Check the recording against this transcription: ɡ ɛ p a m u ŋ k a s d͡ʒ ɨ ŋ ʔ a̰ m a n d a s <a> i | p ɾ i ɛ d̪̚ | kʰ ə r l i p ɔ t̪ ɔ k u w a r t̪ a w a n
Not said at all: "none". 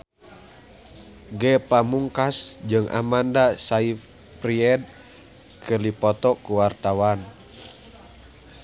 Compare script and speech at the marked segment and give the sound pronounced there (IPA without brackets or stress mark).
a